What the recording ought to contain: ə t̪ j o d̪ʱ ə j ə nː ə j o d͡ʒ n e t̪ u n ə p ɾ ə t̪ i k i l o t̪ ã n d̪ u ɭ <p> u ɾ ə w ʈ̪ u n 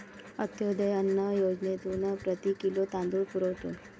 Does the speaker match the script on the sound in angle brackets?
yes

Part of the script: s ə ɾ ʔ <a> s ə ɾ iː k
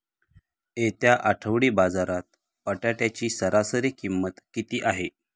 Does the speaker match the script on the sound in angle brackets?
yes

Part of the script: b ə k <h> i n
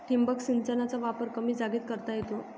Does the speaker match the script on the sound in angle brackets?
no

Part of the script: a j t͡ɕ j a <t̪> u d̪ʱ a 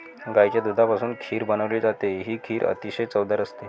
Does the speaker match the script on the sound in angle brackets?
no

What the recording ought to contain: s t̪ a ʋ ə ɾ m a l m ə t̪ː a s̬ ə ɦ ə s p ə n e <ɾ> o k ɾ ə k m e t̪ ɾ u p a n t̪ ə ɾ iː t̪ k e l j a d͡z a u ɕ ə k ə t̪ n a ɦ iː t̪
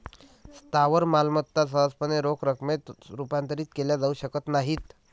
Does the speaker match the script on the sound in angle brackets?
yes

